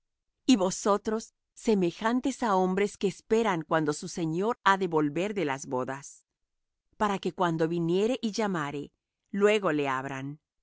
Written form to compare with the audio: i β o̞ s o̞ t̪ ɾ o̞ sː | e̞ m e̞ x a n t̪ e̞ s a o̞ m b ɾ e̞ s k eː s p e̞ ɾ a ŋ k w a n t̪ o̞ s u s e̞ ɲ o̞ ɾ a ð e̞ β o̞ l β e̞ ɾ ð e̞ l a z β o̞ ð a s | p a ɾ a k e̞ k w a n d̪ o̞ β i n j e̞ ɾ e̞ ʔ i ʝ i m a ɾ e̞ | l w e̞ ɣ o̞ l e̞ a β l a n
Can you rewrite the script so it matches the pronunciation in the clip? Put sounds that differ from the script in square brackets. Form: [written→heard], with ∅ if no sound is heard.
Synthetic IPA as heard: i β o̞ s o̞ t̪ ɾ o̞ sː | e̞ m e̞ x a n t̪ e̞ s a o̞ m b ɾ e̞ s k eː s p e̞ ɾ a ŋ k w a n [t̪→d̪] o̞ s u s e̞ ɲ o̞ ɾ a ð e̞ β o̞ l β e̞ ɾ ð e̞ l a z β o̞ ð a s | p a ɾ a k e̞ k w a n d̪ o̞ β i n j e̞ ɾ e̞ ʔ i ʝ [i→a] m a ɾ e̞ | l w e̞ ɣ o̞ l e̞ a β [l→ɾ] a n